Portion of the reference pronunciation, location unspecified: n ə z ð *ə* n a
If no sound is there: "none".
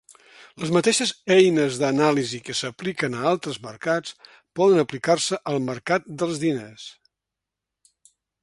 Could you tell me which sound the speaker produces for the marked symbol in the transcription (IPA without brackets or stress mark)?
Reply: ə